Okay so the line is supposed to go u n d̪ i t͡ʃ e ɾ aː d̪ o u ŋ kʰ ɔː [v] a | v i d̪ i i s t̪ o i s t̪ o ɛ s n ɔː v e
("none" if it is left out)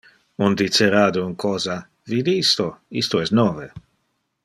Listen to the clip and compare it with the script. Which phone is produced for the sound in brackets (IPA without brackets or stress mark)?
z